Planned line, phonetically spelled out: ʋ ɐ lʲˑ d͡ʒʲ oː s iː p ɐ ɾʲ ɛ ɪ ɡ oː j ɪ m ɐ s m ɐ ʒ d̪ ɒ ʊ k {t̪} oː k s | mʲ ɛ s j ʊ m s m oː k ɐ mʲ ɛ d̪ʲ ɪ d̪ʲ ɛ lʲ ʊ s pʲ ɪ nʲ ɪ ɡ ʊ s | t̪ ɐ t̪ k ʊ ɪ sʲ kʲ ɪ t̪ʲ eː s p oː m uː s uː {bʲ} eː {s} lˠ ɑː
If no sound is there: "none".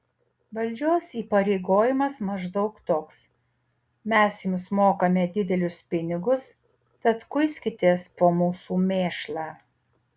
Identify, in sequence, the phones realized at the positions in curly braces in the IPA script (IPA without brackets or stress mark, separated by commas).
t̪, mʲ, ʃ